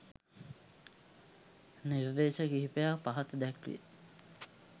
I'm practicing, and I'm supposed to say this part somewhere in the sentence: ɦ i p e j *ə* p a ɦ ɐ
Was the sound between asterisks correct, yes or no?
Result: no